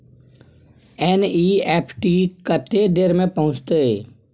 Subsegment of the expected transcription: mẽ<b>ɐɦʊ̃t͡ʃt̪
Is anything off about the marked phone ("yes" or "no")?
yes